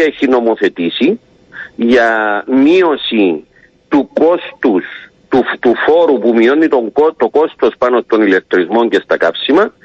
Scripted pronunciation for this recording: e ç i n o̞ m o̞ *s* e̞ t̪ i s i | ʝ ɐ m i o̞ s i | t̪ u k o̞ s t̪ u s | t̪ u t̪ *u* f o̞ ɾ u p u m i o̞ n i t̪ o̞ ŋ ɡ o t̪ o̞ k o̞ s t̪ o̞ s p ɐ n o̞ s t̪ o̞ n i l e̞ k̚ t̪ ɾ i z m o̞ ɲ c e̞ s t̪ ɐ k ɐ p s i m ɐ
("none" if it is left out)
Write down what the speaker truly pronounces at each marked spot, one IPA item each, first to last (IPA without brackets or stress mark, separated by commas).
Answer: θ, u